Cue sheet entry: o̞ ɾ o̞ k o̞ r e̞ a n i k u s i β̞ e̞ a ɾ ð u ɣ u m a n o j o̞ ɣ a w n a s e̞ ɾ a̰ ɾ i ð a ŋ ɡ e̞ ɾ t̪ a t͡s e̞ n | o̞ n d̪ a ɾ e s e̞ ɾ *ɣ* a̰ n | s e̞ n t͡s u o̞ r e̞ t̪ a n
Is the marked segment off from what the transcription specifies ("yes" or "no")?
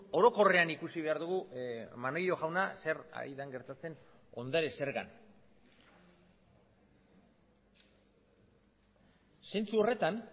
no